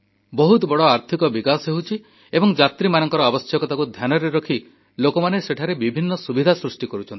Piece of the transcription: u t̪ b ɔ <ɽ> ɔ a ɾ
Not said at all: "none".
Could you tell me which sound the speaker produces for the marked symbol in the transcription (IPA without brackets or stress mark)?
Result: ɽ